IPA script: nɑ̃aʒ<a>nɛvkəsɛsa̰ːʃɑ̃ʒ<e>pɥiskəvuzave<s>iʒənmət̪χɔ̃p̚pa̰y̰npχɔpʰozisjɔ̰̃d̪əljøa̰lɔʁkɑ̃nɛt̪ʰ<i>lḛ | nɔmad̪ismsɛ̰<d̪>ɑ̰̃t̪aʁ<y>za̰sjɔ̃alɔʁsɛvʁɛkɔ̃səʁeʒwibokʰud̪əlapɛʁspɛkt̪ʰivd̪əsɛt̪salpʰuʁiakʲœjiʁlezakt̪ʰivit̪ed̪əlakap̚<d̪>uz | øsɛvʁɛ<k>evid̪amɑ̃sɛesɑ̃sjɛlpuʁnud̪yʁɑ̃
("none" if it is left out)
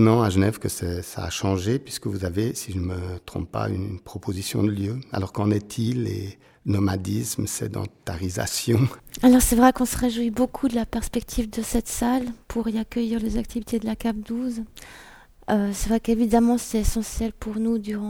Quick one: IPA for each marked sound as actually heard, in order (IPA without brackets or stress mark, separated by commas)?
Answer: ə, e, s, i, d̪, i, d̪, k